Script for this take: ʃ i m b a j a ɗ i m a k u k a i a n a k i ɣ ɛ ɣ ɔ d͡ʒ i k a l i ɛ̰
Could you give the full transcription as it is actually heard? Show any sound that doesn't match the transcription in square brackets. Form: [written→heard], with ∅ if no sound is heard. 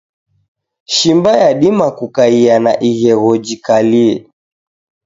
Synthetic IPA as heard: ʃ i m b a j a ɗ i m a k u k a i a n a [k→ʔ] i ɣ ɛ ɣ ɔ d͡ʒ i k a l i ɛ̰

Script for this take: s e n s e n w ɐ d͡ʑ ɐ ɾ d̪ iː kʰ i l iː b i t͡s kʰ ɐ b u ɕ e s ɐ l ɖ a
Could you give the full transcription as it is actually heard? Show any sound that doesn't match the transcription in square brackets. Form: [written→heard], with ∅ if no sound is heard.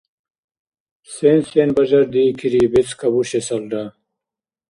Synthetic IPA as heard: s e n s e n [w→b] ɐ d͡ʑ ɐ ɾ d̪ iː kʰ i [l→ɾ] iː b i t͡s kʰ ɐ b u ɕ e s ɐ l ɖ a

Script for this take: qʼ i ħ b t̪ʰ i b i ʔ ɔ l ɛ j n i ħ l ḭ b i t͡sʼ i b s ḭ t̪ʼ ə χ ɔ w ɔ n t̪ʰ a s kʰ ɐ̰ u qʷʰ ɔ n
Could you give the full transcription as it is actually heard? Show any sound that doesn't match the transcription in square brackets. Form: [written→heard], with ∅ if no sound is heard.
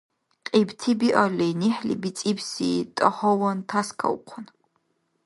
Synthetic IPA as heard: qʼ i [ħ→∅] b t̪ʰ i b i ʔ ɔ l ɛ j n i ħ l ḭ b i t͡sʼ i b s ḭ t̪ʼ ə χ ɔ w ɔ n t̪ʰ a s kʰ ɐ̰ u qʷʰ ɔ n

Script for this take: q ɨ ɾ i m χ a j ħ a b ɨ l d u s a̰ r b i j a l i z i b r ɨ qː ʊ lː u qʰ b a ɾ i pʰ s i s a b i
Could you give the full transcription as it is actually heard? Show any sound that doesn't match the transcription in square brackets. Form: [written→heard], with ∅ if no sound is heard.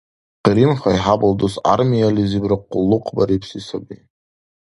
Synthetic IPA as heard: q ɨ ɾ i m χ a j ħ a b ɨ l d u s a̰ r [b→m] i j a l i z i b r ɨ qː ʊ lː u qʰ b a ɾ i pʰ s i s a b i

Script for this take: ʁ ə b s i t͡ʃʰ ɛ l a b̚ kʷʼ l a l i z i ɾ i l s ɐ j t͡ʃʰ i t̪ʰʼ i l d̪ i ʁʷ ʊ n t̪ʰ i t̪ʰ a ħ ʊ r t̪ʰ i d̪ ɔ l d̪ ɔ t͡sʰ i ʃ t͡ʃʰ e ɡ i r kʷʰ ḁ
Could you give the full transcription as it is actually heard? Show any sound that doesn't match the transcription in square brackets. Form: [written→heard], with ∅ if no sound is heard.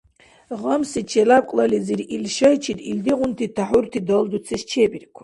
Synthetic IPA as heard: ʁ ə [b→m] s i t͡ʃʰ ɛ l a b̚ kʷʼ l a l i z i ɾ i l [s→ʃ] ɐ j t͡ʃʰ i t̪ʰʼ i l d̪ i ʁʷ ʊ n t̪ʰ i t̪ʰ a ħ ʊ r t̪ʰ i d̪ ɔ l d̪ [ɔ→u] t͡sʰ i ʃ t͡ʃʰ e [ɡ→b] i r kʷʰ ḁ

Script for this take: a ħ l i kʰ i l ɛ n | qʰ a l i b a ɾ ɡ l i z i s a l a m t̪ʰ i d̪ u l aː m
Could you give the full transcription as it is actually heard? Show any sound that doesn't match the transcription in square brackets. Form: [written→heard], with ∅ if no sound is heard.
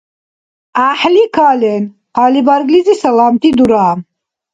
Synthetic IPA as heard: a ħ l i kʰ [i→a] l ɛ n | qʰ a l i b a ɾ ɡ l i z i s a l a m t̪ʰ i d̪ u [l→ɾ] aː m

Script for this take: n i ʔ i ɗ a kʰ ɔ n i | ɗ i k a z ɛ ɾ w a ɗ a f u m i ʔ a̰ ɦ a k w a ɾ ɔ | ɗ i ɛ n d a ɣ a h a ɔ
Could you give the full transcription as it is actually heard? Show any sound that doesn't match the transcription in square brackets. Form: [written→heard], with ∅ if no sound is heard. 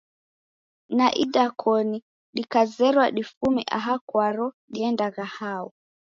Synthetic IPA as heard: n [i→a] ʔ i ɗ a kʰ ɔ n i | ɗ i k a z ɛ ɾ w a ɗ [a→i] f u m i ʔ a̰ ɦ a k w a ɾ ɔ | ɗ i ɛ n d a ɣ a h a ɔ

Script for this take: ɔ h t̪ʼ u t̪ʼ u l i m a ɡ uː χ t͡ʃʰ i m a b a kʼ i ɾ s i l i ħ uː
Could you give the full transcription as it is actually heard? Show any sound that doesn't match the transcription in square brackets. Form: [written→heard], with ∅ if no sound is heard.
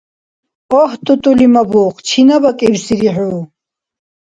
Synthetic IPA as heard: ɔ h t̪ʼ u t̪ʼ u l i m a [ɡ→b] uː χ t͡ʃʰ i [m→n] a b a kʼ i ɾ s i [l→ɾ] i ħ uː

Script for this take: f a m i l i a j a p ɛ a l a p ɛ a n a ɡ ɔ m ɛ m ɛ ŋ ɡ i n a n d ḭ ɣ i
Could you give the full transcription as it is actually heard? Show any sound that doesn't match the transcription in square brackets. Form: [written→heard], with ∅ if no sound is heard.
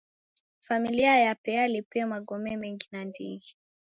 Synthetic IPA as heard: f a m i l i a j a p ɛ a l [a→i] p ɛ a [n→m] a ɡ ɔ m ɛ m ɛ ŋ ɡ i n a n d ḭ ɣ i

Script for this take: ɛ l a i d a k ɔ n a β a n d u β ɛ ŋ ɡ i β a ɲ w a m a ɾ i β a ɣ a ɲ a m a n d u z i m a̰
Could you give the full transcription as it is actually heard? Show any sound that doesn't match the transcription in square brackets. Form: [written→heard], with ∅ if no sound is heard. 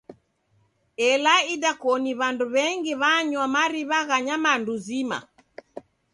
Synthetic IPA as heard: ɛ l a i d a k ɔ n [a→i] β a n d u β ɛ ŋ ɡ i β a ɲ w a m a ɾ i β a ɣ a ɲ a m a n d u z i m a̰

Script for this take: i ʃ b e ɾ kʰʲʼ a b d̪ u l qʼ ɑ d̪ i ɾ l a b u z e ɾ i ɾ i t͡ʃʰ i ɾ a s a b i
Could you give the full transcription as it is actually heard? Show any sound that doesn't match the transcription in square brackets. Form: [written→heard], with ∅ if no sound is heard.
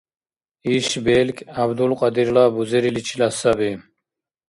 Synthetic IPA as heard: i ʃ b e [ɾ→l] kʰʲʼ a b d̪ u l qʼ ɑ d̪ i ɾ l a b u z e ɾ i [ɾ→l] i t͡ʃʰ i [ɾ→l] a s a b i

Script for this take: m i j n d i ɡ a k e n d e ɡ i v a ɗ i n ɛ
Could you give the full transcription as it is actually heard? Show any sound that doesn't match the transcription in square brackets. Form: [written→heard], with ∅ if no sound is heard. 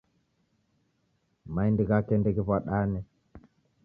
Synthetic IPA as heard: m [i→a] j n d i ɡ a k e n d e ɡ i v a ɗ [i→a] n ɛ

